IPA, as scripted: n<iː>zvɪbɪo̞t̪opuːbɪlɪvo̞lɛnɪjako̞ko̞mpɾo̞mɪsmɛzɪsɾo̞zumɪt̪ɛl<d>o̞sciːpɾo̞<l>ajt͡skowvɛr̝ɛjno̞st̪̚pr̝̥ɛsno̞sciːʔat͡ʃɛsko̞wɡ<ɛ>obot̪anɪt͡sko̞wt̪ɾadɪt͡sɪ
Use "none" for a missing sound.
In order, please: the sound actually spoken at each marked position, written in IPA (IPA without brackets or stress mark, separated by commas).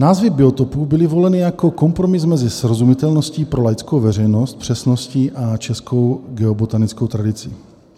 aː, n, l, ɛ